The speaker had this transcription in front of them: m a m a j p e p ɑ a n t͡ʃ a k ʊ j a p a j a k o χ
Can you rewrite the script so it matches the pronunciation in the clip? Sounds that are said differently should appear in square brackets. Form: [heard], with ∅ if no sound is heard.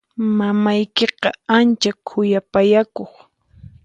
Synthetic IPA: m a m a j [k] e [q] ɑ a n t͡ʃ a [kʰ] ʊ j a p a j a k o χ